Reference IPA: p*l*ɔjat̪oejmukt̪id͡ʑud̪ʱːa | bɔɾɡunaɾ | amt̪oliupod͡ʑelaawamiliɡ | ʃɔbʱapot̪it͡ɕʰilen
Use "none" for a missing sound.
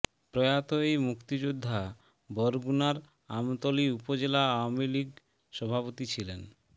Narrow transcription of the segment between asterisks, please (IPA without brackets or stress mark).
ɾ